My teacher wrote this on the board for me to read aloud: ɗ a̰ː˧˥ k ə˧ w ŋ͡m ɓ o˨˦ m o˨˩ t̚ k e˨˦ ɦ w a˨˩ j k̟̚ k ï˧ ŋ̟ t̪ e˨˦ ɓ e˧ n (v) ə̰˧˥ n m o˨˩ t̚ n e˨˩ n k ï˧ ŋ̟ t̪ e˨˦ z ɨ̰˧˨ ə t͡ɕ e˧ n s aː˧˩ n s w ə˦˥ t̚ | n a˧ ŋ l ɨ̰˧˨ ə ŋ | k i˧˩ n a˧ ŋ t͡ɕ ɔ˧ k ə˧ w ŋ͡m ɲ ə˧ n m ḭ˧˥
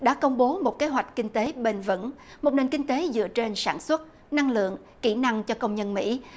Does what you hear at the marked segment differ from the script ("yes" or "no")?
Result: no